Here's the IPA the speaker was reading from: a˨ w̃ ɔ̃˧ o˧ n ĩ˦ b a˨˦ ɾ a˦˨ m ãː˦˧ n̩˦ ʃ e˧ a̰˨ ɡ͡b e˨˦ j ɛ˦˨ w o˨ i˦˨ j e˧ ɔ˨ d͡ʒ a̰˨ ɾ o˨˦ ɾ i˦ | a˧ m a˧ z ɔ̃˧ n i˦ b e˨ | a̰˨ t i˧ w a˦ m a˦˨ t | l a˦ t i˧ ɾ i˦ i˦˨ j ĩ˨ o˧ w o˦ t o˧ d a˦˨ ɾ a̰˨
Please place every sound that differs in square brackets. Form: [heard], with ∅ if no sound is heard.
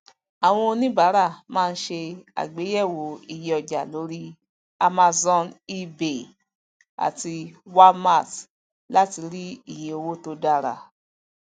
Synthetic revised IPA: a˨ w̃ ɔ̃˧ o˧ n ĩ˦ b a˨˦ ɾ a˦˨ m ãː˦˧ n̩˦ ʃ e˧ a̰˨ ɡ͡b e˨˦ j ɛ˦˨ w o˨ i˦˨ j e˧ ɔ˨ d͡ʒ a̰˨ [l] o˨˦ ɾ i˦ | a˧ m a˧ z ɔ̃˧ n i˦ b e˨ | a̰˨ t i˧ w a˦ m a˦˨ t | l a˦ t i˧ ɾ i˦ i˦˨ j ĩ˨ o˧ w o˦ t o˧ d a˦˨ ɾ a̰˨